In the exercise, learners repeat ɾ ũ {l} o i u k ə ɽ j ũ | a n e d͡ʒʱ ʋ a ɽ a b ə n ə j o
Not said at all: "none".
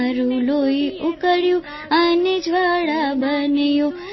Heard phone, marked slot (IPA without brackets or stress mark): l